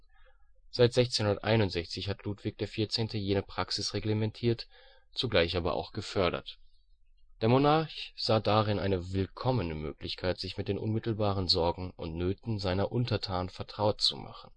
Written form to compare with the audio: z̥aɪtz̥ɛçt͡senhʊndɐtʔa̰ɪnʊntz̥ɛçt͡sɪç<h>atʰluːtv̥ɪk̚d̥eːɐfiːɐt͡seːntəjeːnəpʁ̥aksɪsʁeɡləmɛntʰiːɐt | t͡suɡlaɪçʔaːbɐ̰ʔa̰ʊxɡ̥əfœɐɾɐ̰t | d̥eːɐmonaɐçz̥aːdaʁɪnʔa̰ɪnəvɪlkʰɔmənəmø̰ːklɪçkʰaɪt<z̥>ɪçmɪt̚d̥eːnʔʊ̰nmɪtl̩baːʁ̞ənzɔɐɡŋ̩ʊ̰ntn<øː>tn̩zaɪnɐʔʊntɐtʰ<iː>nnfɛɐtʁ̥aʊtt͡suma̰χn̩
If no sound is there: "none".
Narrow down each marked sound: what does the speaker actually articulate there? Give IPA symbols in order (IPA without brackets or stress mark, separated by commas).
h, z̥, øː, aː